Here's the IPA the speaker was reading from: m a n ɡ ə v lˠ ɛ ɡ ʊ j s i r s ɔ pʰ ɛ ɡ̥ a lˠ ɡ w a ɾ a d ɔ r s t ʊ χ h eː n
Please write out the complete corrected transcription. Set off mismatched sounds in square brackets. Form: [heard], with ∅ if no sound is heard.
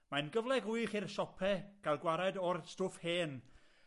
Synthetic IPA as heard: m a n ɡ ə v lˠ ɛ ɡ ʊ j [χ] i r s ɔ pʰ ɛ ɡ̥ a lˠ ɡ w a ɾ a d ɔ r s t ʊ [f] h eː n